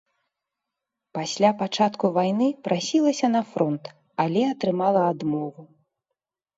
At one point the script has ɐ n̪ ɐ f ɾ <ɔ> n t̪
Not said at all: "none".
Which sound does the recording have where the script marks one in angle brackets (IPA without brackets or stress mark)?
ɔ